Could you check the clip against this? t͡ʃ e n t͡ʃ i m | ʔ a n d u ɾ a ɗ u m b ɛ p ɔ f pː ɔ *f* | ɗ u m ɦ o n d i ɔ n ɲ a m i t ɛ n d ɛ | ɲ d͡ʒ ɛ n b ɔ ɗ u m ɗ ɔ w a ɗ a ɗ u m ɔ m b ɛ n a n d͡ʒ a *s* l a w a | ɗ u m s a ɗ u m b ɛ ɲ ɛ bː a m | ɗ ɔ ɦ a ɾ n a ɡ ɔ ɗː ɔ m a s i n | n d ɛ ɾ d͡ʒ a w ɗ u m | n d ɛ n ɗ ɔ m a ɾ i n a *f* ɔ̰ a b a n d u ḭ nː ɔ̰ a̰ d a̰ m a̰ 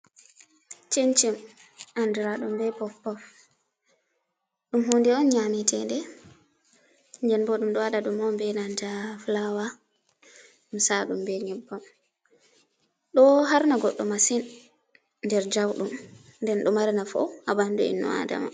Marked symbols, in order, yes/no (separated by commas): yes, no, yes